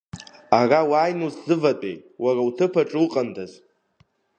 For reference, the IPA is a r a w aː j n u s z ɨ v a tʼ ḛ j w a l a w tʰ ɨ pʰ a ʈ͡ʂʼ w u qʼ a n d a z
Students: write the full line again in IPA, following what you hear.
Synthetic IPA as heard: a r a w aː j n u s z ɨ v a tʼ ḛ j w a r a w tʰ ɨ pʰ a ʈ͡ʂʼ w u qʼ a n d a z